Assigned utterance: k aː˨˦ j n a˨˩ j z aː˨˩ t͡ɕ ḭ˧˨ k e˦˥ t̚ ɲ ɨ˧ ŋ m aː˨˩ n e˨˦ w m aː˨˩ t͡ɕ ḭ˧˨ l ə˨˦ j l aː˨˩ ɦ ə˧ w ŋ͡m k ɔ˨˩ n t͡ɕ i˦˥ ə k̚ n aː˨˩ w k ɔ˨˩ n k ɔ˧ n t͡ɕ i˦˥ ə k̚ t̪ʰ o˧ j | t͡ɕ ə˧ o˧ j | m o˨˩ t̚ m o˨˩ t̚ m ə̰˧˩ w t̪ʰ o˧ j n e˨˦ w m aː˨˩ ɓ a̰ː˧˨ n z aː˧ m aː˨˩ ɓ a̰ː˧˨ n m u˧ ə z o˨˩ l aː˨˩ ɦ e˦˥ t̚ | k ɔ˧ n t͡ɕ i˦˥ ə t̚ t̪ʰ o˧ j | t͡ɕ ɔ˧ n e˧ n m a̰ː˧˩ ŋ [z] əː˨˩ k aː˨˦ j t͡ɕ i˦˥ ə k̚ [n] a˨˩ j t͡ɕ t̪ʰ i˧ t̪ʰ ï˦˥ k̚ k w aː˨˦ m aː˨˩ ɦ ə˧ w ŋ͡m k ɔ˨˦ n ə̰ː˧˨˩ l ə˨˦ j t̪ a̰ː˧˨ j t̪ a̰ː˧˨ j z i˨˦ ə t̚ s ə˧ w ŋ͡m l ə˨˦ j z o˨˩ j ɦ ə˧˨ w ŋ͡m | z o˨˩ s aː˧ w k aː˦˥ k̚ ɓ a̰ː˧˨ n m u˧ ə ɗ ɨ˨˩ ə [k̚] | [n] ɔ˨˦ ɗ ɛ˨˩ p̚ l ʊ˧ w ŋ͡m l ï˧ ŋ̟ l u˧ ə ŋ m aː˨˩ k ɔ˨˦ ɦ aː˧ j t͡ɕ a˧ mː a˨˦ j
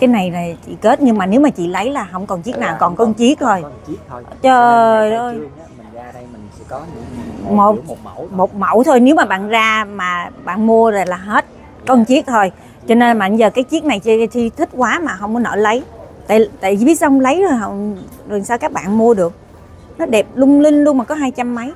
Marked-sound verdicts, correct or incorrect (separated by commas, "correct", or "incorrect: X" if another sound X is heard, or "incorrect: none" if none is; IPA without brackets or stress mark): correct, correct, correct, correct